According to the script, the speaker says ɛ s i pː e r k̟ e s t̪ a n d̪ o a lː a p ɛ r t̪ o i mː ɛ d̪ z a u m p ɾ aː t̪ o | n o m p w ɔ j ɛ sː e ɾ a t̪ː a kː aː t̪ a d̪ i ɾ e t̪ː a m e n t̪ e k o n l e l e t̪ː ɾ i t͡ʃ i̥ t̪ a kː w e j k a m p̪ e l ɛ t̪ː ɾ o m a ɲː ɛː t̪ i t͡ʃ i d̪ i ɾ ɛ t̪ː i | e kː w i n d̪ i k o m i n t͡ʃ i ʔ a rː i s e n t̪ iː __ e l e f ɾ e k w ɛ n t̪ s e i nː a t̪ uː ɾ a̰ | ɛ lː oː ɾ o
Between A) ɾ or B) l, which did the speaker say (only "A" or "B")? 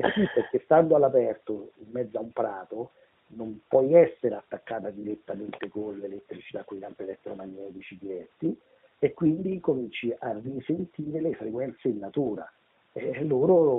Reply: A